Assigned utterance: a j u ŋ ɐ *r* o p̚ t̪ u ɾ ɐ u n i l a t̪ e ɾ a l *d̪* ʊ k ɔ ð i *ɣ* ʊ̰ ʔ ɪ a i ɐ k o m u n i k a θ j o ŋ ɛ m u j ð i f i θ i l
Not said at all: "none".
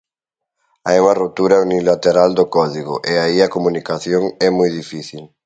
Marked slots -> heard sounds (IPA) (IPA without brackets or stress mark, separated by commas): r, d̪, ɣ